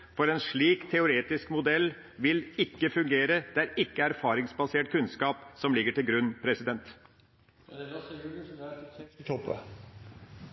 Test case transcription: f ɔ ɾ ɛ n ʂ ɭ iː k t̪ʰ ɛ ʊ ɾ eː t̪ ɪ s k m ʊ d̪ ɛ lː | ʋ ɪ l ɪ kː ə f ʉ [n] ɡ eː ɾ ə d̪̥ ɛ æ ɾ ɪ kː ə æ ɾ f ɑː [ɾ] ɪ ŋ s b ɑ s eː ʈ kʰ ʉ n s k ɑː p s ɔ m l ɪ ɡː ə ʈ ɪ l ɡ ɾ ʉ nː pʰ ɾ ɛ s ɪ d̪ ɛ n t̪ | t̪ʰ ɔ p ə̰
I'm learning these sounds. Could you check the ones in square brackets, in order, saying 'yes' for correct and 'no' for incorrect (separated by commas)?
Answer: no, yes